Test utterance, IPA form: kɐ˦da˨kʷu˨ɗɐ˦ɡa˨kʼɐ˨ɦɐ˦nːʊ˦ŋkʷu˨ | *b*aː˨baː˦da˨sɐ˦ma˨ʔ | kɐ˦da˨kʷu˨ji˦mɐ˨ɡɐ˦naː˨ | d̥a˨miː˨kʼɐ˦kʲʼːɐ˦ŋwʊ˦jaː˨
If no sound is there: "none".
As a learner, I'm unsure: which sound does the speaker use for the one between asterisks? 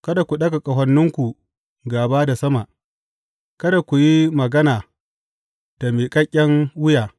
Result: ɡ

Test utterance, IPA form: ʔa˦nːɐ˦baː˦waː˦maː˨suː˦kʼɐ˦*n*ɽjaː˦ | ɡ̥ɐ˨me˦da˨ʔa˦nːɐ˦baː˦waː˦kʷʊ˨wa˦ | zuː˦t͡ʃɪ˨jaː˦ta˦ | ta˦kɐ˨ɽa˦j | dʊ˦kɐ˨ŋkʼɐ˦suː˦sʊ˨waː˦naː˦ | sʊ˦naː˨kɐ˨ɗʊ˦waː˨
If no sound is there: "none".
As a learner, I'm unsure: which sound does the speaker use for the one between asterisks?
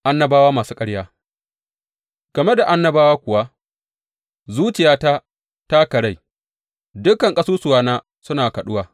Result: none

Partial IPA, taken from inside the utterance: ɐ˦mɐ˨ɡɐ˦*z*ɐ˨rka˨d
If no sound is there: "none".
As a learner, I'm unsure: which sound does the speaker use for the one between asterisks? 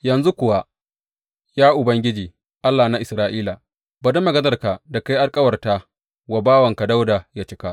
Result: z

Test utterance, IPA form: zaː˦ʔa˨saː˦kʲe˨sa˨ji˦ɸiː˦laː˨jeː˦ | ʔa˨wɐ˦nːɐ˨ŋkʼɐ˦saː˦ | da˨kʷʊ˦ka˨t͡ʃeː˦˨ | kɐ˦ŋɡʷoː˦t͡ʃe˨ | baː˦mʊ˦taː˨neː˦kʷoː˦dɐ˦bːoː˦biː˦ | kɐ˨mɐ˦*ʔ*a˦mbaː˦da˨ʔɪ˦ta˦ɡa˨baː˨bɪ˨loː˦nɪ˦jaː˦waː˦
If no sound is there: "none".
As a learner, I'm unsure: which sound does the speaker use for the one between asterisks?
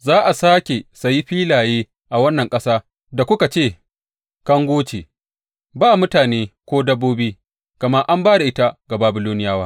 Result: ʔ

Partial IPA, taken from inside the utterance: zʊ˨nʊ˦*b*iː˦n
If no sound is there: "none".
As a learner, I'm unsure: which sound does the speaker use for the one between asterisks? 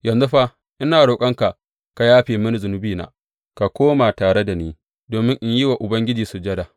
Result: b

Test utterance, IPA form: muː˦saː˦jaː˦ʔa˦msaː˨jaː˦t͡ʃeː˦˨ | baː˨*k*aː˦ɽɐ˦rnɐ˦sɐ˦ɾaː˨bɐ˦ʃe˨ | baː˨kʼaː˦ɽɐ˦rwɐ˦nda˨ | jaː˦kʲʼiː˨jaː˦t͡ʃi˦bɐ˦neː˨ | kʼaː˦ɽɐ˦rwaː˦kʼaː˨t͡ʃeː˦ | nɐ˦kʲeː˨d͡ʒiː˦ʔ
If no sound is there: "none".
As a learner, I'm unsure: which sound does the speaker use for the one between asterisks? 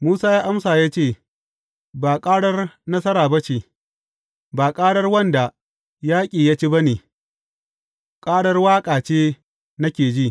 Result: kʼ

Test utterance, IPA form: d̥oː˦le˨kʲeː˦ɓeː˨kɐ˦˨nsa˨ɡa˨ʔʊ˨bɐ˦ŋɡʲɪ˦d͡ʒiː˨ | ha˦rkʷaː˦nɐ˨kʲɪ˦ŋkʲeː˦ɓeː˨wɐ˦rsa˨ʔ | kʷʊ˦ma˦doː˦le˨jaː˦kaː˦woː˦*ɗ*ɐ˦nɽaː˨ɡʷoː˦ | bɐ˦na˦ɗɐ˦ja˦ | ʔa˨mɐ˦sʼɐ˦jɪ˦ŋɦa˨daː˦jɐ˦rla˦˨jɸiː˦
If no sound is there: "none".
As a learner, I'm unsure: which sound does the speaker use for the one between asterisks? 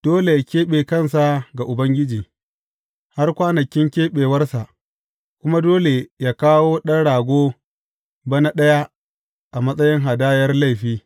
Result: ɗ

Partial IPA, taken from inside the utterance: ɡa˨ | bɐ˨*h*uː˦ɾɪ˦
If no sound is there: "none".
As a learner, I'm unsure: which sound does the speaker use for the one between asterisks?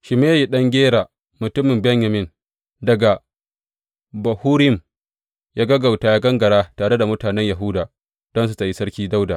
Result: h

